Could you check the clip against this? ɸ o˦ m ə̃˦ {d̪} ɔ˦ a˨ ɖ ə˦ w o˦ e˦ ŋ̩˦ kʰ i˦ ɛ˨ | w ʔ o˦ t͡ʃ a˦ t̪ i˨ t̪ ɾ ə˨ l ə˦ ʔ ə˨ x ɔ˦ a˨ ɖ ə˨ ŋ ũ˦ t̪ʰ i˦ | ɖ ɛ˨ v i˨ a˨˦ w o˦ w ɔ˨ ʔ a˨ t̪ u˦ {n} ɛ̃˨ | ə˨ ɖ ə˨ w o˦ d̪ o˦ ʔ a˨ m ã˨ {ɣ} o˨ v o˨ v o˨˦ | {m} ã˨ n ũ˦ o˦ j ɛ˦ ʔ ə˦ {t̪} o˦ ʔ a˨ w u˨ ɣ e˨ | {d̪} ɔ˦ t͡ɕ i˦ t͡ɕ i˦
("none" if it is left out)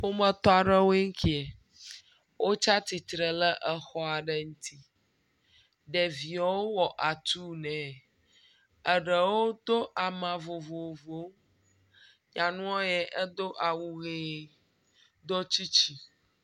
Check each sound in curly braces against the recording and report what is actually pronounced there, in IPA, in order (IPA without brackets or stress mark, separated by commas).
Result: t̪, n, v, ɲ, d̪, d̪